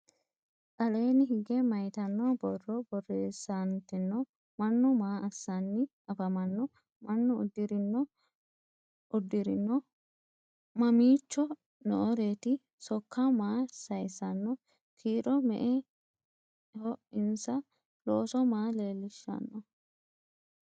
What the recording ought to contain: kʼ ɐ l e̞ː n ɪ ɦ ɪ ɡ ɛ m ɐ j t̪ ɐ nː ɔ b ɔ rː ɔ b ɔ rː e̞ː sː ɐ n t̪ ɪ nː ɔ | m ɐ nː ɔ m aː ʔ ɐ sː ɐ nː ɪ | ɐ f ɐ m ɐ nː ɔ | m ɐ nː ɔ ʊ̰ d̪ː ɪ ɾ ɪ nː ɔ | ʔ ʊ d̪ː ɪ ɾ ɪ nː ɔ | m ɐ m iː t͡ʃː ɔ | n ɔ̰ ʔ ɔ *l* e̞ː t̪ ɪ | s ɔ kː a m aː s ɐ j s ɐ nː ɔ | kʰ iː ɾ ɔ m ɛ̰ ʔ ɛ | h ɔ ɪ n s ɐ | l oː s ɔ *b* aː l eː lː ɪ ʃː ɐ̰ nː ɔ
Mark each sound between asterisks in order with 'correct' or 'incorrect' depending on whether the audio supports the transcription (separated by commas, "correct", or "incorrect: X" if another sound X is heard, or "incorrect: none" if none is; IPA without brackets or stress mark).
incorrect: ɾ, incorrect: m